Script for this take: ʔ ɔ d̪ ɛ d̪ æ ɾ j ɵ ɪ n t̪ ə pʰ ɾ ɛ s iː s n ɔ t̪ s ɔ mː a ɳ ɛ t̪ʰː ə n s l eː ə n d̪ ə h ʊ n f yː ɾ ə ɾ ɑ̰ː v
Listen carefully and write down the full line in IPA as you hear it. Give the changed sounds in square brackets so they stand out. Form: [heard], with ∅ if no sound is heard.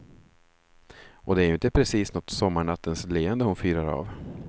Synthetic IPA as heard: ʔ ɔ d̪ ɛ [∅] æ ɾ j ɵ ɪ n t̪ ə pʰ ɾ ɛ s iː s n ɔ t̪ s ɔ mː a ɳ [a] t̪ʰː ə n s l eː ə n d̪ ə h ʊ n f yː ɾ [a] ɾ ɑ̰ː v